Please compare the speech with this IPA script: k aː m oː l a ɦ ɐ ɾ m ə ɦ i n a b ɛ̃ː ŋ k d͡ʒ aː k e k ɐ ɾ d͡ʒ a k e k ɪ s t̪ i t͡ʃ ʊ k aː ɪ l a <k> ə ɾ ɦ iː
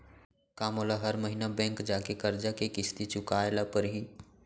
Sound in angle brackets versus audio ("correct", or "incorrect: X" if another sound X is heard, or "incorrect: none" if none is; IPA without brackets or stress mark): incorrect: p